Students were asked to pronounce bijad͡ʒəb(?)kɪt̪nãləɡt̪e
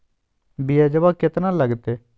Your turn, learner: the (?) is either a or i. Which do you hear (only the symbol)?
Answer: a